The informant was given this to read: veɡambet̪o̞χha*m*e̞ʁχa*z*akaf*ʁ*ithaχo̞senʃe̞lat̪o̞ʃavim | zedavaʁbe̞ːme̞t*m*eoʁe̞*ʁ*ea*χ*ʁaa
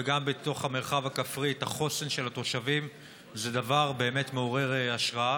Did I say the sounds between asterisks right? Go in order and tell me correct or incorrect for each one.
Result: correct, incorrect: v, correct, correct, correct, incorrect: ʃ

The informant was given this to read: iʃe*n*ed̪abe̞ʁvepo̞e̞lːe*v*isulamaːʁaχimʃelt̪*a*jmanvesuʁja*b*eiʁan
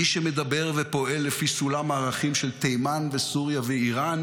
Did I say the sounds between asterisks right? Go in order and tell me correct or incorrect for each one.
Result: incorrect: m, incorrect: f, incorrect: e, incorrect: v

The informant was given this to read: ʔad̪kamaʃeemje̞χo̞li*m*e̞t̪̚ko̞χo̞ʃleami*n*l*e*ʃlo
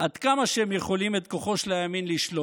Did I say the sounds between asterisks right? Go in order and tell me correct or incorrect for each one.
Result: correct, correct, incorrect: i

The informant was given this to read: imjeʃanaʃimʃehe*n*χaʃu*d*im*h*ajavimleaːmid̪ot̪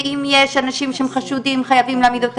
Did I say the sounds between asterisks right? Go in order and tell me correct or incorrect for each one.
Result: incorrect: m, correct, incorrect: χ

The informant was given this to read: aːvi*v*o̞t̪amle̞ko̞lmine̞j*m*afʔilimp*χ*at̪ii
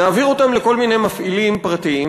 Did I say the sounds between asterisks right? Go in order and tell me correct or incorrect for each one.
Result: incorrect: ʁ, correct, incorrect: ʁ

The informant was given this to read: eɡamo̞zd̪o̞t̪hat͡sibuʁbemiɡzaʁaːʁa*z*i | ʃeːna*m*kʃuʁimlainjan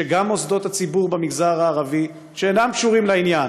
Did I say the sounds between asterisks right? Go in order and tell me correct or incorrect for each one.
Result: incorrect: v, correct

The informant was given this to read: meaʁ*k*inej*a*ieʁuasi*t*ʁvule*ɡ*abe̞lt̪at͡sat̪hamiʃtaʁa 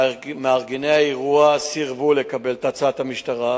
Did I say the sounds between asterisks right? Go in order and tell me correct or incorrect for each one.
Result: incorrect: ɡ, correct, incorrect: none, incorrect: k

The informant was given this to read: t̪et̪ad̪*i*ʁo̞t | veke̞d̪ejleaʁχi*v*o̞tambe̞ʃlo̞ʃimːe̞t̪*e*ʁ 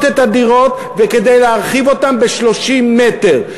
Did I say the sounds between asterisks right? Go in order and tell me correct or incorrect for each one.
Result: correct, correct, correct

